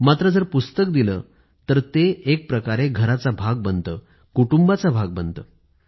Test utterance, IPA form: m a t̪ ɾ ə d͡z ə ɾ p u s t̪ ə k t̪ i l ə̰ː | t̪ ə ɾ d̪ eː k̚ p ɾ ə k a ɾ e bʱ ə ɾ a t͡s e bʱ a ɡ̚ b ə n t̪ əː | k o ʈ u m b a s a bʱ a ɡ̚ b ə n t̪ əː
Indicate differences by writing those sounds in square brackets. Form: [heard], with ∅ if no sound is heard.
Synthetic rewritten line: m a t̪ ɾ ə d͡z ə ɾ p u s t̪ ə k [d̪] i l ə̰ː | t̪ ə ɾ [t̪] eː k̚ p ɾ ə k a ɾ e [ɡʱ] ə ɾ a t͡s [a] bʱ a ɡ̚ b ə n t̪ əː | k [u] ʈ u m b a [t͡s] a bʱ a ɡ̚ b ə n t̪ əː